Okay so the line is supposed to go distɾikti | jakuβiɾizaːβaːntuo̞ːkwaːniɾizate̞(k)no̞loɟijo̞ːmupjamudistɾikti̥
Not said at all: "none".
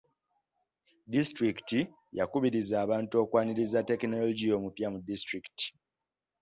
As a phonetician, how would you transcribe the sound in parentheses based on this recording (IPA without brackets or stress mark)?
k